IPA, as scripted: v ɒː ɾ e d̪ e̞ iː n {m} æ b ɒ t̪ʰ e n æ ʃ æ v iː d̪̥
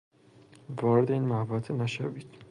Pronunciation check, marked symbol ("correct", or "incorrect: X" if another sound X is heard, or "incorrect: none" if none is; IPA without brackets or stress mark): correct